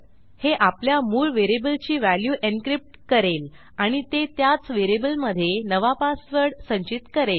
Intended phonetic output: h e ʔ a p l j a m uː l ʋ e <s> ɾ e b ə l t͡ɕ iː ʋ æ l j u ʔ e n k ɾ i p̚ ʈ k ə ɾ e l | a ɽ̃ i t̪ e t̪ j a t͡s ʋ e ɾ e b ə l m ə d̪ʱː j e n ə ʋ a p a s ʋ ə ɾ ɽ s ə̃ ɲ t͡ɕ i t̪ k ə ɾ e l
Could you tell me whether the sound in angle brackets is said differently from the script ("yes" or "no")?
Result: yes